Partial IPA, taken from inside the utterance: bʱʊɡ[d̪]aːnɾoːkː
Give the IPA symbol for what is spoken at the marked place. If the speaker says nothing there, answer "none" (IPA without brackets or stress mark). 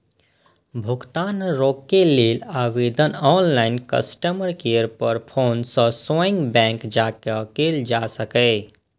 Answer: t̪